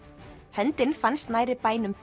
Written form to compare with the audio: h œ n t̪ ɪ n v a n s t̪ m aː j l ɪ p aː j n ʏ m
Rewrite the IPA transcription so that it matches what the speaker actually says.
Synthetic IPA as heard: h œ n t̪ ɪ n f a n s t̪ n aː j ɾ ɪ p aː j n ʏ m

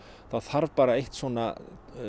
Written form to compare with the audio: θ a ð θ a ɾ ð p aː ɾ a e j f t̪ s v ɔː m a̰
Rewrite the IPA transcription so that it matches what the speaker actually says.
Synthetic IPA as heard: θ a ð θ a ɾ v p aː ɾ a e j h t̪ s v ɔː n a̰

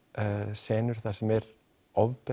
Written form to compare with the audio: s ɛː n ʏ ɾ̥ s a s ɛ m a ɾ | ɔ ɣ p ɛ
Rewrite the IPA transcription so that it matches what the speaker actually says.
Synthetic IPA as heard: s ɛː n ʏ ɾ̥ θ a s ɛ m ɛ ɾ | ɔ v p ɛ

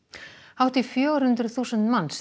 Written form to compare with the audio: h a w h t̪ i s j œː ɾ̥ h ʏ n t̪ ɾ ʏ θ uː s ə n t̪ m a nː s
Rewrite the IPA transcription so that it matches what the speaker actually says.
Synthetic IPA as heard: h a w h t̪ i f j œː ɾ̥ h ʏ n t̪ ɾ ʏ θ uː s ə n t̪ m a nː s

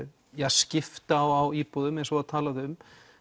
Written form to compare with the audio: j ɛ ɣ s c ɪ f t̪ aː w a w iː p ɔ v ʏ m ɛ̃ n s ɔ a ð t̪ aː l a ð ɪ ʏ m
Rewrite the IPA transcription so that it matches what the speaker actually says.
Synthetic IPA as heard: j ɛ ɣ s c ɪ f t̪ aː w a w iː p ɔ ð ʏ m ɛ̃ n s ɔ a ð t̪ʰ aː l a ð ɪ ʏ m

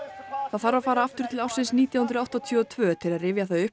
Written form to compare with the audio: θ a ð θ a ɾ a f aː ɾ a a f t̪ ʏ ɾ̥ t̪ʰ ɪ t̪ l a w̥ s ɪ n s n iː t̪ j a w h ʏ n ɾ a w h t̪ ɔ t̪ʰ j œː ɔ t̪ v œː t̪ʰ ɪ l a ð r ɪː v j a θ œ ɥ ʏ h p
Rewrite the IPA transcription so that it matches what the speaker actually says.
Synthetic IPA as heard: θ a ð θ a ɾ a f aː ɾ a a f t̪ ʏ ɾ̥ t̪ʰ ɪ l a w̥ s ɪ n s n iː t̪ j a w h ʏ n ɾ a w h t̪ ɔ t̪ʰ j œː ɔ t̪ʰ v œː t̪ʰ ɪ l a ð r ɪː v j a θ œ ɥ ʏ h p

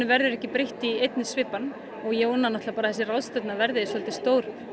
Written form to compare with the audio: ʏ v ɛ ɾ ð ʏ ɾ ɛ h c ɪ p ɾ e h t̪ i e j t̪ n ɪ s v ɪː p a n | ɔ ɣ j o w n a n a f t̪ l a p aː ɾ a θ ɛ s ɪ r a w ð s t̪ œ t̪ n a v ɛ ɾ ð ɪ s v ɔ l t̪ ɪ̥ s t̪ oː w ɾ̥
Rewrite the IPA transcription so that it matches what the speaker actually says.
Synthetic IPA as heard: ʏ v ɛ ɾ ð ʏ ɾ ɛ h c ɪ p ɾ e h t̪ i e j t̪ n ɪ s v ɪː p a n | ɔ ɣ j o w n a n a h t̪ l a p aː ɾ a θ ɛ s ɪ r a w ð s t̪ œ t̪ n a v ɛ ɾ ð ɪ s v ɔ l t̪ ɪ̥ s t̪ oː w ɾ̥

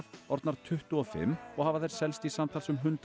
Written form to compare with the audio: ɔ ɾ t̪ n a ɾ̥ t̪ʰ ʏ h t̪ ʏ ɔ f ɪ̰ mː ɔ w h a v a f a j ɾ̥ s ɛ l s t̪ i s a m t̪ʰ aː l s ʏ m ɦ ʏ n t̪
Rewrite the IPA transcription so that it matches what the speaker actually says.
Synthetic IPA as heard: ɔ ɾ t̪ n a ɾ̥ t̪ʰ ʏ h t̪ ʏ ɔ f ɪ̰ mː ɔ ɣ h a v a θ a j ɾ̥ s ɛ l s t̪ i s a m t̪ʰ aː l s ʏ m ɦ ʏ n t̪

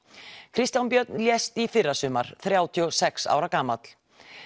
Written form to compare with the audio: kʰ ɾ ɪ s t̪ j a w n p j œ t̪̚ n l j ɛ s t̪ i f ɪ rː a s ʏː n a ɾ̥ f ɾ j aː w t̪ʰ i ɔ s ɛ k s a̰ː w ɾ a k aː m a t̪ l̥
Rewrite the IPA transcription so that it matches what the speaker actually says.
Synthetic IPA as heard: kʰ ɾ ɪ s t̪ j a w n p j œ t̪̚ n l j ɛ s t̪ i f ɪ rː a s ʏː m a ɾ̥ θ ɾ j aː w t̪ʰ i ɔ s ɛ k s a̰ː w ɾ a k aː m a t̪ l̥

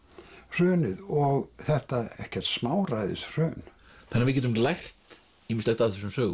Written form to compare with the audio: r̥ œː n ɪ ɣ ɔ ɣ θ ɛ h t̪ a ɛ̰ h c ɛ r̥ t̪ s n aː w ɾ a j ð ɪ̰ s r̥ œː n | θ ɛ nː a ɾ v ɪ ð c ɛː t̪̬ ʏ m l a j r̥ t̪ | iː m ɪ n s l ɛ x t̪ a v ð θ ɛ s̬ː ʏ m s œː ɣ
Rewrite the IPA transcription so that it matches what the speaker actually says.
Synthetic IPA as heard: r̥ œː n ɪ ð ɔ ɣ θ ɛ h t̪ a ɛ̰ h c ɛ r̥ t̪ s m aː w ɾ a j ð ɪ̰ s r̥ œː n | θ ɛ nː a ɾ v ɪ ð c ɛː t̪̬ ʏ m l a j r̥ t̪ | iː m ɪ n s l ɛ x t̪ a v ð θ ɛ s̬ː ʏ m s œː ɣ

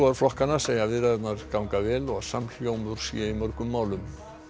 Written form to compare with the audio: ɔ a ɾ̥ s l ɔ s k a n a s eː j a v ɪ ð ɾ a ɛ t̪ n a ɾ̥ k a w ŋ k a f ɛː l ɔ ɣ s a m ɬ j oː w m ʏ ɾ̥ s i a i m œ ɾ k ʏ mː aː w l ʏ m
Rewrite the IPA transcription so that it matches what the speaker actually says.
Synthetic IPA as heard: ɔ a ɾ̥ f l ɔ h k a n a s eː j a v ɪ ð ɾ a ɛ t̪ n a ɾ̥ k a w ŋ k a v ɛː l ɔ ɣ s a m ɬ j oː w m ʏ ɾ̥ s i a i m œ ɾ k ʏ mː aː w l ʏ m

